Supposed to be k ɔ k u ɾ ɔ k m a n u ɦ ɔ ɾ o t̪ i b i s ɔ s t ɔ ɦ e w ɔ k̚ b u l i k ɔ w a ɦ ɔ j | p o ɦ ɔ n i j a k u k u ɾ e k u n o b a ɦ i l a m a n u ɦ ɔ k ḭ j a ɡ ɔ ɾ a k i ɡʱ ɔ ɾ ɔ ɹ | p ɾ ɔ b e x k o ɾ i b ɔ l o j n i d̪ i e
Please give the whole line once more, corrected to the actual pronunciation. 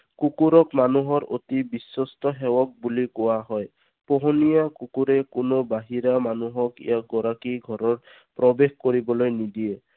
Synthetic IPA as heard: k u k u ɾ ɔ k m a n u ɦ ɔ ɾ o t̪ i b i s ɔ s t ɔ ɦ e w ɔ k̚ b u l i k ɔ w a ɦ ɔ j | p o ɦ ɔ n i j a k u k u ɾ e k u n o b a ɦ i ɾ a m a n u ɦ ɔ k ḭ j a ɡ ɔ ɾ a k i ɡʱ ɔ ɾ ɔ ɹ | p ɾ ɔ b e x k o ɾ i b ɔ l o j n i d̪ i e